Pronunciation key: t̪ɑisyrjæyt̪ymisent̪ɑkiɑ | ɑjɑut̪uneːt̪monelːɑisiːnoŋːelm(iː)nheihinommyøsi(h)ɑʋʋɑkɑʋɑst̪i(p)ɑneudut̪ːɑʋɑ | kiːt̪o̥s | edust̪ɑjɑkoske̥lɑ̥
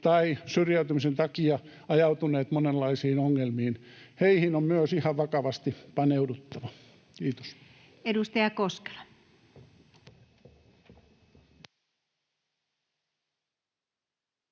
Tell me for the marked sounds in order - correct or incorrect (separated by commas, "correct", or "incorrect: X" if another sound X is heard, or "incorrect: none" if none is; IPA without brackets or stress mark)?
correct, correct, correct